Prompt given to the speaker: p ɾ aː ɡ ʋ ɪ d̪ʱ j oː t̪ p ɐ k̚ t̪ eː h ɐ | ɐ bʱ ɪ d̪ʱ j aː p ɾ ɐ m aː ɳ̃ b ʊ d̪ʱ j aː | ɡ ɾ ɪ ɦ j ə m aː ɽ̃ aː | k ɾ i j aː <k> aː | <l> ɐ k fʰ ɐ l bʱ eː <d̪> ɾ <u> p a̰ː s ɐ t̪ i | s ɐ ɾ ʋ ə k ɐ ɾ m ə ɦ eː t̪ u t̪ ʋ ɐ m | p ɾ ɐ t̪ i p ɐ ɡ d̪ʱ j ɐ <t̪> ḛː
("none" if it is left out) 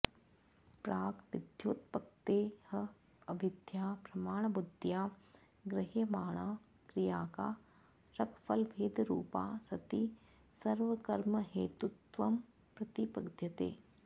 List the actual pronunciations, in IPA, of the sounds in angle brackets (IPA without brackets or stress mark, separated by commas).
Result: k, ɾ, d̪, uː, t̪